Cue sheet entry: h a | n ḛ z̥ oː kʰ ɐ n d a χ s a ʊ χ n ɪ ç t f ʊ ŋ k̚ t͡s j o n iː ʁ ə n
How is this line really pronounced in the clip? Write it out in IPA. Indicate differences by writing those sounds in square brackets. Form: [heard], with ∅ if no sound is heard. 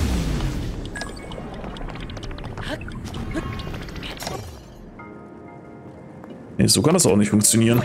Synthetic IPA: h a | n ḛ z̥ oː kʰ [a] n d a [∅] s a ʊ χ n ɪ ç t f ʊ ŋ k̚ t͡s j o n iː ʁ ə n